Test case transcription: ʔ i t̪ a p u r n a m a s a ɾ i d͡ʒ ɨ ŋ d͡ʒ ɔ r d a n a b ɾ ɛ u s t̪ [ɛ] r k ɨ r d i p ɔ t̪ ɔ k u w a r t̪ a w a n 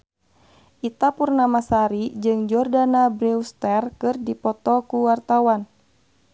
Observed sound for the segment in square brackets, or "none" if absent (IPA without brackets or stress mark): ɛ